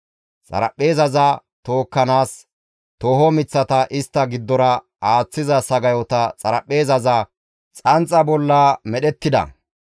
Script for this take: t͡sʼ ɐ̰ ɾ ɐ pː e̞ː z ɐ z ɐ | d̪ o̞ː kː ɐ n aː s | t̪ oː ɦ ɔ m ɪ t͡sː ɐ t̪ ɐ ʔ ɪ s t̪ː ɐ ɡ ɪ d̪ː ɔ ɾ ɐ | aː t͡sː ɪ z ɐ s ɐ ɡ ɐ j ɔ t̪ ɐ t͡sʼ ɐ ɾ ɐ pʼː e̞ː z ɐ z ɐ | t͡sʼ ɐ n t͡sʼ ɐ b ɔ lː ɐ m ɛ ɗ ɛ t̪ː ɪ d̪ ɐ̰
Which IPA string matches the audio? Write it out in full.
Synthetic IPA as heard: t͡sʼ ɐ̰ ɾ ɐ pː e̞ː z ɐ z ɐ | t̪ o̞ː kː ɐ n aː s | t̪ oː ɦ ɔ m ɪ t͡sː ɐ t̪ ɐ ʔ ɪ s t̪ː ɐ ɡ ɪ d̪ː ɔ ɾ ɐ | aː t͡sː ɪ z ɐ s ɐ ɡ ɐ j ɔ t̪ ɐ t͡sʼ ɐ ɾ ɐ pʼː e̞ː z ɐ z ɐ | t͡sʼ ɐ n t͡sʼ ɐ b ɔ lː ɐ m ɛ ɗ ɛ t̪ː ɪ d̪ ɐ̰